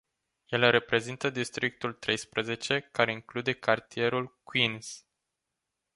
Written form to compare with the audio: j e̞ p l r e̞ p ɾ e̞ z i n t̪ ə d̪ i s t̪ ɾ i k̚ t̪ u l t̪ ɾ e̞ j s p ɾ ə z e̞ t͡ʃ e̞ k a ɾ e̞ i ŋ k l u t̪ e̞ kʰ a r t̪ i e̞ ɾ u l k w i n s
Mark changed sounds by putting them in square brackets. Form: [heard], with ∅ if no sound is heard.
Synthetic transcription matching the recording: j e̞ [∅] l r e̞ p ɾ e̞ z i n t̪ ə d̪ i s t̪ ɾ i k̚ t̪ u l t̪ ɾ e̞ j s p ɾ ə z e̞ t͡ʃ e̞ k a ɾ e̞ i ŋ k l u [d̪] e̞ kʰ a r t̪ i e̞ ɾ u l k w i n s